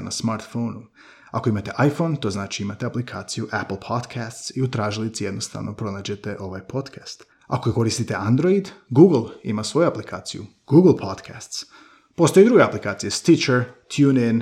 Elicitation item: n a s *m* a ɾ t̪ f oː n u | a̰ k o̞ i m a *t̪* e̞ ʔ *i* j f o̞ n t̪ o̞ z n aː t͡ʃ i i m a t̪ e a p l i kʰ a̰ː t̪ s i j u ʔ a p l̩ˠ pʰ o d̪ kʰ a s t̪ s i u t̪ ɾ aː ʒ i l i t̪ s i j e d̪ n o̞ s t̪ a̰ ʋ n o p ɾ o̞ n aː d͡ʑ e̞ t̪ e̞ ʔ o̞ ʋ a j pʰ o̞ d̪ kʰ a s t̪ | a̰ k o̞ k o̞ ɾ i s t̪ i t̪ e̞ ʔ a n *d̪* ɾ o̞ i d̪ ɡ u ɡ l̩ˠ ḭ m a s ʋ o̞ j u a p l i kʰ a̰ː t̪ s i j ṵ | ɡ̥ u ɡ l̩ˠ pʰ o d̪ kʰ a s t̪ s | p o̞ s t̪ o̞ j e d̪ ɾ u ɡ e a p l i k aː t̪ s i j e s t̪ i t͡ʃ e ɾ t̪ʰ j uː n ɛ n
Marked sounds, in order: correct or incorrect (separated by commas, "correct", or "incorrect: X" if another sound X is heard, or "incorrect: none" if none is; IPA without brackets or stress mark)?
correct, correct, incorrect: a, correct